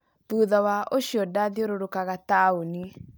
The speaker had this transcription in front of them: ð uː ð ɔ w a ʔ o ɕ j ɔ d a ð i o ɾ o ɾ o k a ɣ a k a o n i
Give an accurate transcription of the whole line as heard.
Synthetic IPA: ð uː ð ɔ w a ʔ o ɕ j ɔ d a ð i o ɾ o ɾ o k a ɣ a t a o n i